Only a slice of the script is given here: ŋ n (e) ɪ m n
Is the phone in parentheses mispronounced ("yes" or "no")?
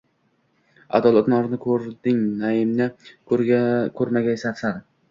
yes